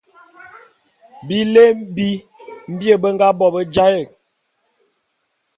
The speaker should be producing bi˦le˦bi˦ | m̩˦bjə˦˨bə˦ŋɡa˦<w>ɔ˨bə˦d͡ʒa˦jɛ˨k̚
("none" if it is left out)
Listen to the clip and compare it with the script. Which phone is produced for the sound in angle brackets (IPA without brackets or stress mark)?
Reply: b